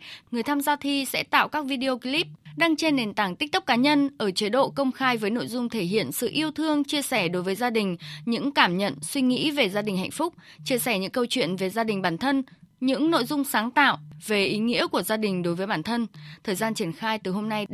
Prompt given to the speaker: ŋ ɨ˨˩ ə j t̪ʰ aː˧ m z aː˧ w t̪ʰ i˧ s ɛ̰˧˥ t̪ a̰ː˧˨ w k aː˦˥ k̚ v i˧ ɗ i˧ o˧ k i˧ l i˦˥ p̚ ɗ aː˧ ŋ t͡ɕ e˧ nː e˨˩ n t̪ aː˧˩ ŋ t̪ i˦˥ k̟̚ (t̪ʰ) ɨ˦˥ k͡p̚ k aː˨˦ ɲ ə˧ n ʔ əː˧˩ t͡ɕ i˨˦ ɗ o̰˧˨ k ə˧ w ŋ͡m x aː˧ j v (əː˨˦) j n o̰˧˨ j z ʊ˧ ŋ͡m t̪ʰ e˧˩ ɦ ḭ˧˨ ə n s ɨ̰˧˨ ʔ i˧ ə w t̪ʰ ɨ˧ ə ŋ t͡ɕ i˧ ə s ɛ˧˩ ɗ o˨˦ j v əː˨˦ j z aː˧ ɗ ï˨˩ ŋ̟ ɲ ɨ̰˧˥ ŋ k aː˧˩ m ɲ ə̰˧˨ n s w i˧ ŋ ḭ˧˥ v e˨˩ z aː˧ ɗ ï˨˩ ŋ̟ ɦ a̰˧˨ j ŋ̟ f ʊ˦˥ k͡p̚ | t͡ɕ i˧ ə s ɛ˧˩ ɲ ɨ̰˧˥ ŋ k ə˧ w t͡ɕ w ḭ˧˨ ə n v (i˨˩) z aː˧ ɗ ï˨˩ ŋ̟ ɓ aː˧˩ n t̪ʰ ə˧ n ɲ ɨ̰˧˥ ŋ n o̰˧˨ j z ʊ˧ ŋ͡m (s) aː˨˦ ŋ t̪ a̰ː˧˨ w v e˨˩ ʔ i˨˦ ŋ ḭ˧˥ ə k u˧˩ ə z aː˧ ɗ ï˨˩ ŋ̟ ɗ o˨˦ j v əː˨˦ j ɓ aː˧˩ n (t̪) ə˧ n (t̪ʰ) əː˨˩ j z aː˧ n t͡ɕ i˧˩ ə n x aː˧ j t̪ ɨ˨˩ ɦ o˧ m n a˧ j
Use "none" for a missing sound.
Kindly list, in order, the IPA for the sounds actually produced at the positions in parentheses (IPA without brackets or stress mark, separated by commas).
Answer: t̪, əː˨˦, e˨˩, s, t̪ʰ, t̪ʰ